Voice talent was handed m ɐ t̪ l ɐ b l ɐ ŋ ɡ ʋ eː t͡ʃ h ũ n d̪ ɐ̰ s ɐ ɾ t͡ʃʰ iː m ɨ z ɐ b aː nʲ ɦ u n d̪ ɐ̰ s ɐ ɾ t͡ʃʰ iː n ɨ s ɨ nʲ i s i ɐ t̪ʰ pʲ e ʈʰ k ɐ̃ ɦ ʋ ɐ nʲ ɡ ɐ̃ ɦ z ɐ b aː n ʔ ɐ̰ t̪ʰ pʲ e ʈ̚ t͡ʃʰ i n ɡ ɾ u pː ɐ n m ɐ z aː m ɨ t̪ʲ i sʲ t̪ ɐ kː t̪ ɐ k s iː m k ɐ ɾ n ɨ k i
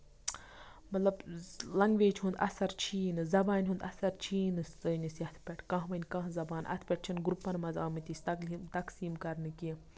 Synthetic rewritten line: m ɐ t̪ l ɐ b l ɐ ŋ ɡ ʋ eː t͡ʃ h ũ n d̪ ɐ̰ s ɐ ɾ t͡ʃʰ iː n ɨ z ɐ b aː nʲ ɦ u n d̪ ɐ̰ s ɐ ɾ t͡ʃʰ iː n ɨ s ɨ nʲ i s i ɐ t̪ʰ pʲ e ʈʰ k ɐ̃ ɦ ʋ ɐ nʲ k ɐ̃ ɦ z ɐ b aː n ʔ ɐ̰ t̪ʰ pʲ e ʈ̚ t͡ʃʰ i n ɡ ɾ u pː ɐ n m ɐ z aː m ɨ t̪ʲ i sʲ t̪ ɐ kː t̪ ɐ k s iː m k ɐ ɾ n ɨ k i